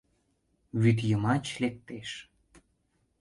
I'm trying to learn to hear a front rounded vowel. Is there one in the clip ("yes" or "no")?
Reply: yes